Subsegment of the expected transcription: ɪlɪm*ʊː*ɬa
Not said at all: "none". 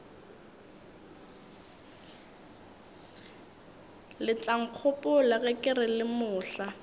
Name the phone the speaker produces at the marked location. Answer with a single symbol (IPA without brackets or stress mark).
ʊː